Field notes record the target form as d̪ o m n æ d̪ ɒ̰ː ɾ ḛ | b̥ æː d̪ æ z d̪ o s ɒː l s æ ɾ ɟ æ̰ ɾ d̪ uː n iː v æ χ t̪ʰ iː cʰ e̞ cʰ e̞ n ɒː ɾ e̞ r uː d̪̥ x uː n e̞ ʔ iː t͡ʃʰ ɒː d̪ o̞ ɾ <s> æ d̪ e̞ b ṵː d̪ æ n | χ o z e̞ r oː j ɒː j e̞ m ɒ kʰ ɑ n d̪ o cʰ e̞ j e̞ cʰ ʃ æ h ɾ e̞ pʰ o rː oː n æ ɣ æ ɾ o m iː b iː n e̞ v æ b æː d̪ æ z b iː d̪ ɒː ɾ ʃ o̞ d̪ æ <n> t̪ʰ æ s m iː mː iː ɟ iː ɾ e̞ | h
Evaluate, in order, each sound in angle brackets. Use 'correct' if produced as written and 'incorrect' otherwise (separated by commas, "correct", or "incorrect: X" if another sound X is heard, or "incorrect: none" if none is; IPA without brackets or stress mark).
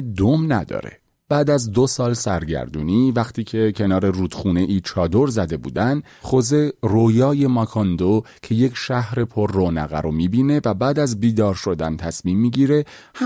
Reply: incorrect: z, correct